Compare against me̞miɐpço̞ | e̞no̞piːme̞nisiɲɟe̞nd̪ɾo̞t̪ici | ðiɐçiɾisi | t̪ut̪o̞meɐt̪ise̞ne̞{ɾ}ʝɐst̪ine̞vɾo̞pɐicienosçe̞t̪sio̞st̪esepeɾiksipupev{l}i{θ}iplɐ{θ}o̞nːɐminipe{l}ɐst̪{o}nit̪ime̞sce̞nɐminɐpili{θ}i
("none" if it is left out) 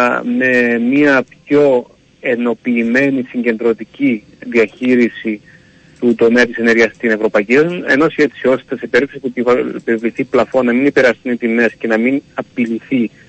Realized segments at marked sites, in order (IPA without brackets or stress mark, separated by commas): ɾ, l, θ, f, ɾ, u, θ